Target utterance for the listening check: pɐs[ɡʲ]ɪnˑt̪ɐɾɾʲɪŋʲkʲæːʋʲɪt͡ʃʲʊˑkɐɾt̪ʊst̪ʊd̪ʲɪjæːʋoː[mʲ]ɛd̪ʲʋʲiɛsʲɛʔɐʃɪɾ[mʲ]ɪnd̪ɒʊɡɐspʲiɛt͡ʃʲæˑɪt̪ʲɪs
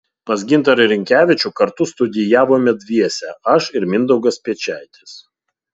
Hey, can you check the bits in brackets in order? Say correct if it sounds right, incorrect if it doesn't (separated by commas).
correct, correct, correct